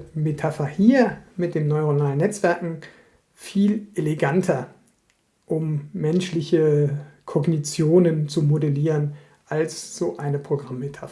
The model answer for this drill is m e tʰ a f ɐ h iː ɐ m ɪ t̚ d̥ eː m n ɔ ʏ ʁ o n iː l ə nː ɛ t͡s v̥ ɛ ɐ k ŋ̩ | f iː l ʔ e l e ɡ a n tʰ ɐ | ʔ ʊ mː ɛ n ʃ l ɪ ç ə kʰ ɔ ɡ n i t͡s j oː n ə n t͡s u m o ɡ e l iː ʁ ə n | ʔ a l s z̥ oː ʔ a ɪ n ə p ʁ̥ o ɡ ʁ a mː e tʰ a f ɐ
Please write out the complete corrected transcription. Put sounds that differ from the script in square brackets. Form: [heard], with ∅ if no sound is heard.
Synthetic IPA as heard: m e tʰ a f ɐ h iː ɐ m ɪ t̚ d̥ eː m n ɔ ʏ ʁ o n [aː] l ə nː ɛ t͡s v̥ ɛ ɐ k ŋ̩ | f iː l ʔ e l e ɡ a n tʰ ɐ | ʔ ʊ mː ɛ n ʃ l ɪ ç ə kʰ ɔ ɡ n i t͡s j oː n ə n t͡s u m o [d] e l iː ʁ ə n | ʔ a l s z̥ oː ʔ a ɪ n ə p ʁ̥ o ɡ ʁ a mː e tʰ a f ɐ